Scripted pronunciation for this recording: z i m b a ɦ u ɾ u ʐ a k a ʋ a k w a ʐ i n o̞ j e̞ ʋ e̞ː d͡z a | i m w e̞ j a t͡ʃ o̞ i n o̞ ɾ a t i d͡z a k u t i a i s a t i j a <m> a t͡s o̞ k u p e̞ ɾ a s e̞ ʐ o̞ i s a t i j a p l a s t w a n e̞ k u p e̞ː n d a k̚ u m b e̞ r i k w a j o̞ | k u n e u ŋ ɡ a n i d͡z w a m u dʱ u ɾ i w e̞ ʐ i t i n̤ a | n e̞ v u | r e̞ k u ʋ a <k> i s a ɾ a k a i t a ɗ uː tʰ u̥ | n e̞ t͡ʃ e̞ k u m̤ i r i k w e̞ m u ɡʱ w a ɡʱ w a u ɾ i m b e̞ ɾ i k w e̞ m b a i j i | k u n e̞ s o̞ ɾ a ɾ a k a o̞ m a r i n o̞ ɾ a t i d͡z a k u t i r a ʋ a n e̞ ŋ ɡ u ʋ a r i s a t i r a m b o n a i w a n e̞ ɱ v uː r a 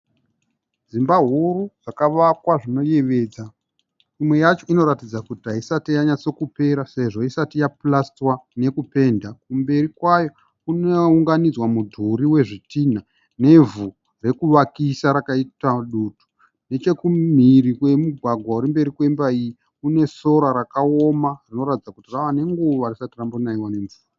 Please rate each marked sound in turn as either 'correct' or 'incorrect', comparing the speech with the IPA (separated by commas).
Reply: incorrect, correct